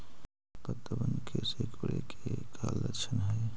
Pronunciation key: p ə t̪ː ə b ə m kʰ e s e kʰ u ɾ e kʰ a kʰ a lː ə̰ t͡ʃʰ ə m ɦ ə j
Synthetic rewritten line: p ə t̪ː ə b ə n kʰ e s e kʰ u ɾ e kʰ e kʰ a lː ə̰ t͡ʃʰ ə n ɦ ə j